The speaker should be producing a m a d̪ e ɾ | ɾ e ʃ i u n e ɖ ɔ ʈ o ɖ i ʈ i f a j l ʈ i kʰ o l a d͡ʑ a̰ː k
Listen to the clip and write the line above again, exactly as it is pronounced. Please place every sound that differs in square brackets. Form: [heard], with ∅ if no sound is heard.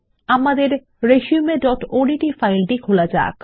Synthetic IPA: a m a d̪ e ɾ | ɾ e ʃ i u [m] e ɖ ɔ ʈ o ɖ i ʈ i f a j l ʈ i kʰ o l a d͡ʑ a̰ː k